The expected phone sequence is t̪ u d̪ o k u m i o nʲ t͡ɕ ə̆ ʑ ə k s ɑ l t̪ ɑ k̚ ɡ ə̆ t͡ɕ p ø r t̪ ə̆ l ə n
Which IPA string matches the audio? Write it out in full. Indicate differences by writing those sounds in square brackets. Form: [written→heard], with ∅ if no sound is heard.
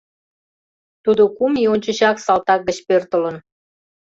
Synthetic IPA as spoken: t̪ u d̪ o k u m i o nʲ t͡ɕ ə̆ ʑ [ə→ɑ] k s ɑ l t̪ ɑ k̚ ɡ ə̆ t͡ɕ p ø r t̪ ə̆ l ə n